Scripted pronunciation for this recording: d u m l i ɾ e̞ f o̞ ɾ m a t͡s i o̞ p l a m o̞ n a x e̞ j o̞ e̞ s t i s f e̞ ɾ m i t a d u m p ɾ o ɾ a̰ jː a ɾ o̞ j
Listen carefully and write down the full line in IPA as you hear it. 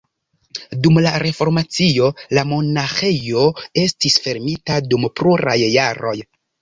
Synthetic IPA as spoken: d u m l a ɾ e̞ f o̞ ɾ m a t͡s i o̞ l a m o̞ n a x e̞ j o̞ e̞ s t i s f e̞ ɾ m i t a d u m p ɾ u ɾ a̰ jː a ɾ o̞ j

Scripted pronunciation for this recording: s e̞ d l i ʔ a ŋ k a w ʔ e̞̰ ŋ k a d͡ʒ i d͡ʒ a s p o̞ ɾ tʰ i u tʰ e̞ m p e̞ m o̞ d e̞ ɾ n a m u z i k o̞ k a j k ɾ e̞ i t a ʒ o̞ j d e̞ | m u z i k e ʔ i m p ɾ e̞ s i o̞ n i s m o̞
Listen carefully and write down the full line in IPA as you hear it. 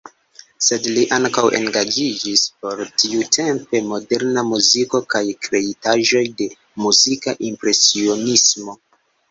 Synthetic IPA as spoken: s e̞ d l i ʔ a ŋ k a w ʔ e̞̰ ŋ ɡ a d͡ʒ i d͡ʒ i s p o̞ ɾ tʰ i u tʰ e̞ m p e̞ m o̞ d e̞ ɾ n a m u z i k o̞ k a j k ɾ e̞ i t a ʒ o̞ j d e̞ | m u z i k a ʔ i m p ɾ e̞ s i o̞ n i s m o̞

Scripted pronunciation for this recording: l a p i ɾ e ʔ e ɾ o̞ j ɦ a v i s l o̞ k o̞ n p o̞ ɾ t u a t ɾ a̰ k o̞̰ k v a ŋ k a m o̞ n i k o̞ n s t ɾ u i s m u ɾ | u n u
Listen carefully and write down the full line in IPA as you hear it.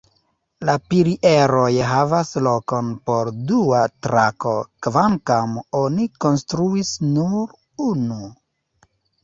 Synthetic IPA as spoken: l a p i ɾ i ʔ e ɾ o̞ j ɦ a v a s l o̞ k o̞ n p o̞ ɾ d u a t ɾ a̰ k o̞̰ k v a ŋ k a m o̞ n i k o̞ n s t ɾ u i s n u ɾ | u n u

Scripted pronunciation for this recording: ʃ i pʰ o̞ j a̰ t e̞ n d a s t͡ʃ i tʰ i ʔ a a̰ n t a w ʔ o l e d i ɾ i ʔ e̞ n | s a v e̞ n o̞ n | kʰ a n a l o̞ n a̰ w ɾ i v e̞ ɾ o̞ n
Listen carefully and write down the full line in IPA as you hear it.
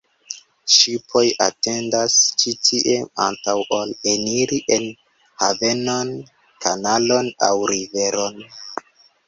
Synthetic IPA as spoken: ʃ i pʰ o̞ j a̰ t e̞ n d a s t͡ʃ i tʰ i ʔ e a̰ n t a w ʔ o l e n i ɾ i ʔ e̞ n | h a v e̞ n o̞ n | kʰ a n a l o̞ n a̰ w ɾ i v e̞ ɾ o̞ n

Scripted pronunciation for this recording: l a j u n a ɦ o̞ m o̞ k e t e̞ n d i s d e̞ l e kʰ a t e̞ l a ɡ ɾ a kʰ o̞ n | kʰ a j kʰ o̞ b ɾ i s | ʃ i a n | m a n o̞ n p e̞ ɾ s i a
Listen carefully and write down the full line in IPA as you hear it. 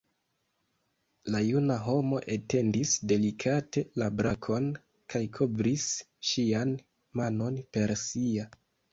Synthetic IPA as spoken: l a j u n a ɦ o̞ m o̞ ʔ e t e̞ n d i s d e̞ l i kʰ a t e̞ l a b ɾ a kʰ o̞ n | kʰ a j kʰ o̞ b ɾ i s | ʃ i a n | m a n o̞ n p e̞ ɾ s i a

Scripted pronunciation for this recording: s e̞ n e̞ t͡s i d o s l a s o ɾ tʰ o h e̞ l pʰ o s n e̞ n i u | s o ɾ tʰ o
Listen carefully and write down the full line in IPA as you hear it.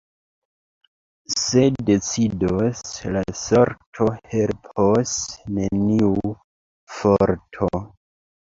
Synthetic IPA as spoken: s e̞ d e̞ t͡s i d o s l a s o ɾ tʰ o h e̞ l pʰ o s n e̞ n i u | f o ɾ tʰ o

